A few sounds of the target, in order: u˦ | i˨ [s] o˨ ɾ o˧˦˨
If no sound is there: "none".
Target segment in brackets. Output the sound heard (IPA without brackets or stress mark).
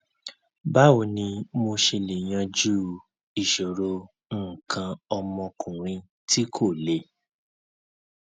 ʃ